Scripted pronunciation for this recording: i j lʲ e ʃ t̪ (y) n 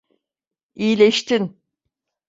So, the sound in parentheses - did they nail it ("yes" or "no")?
no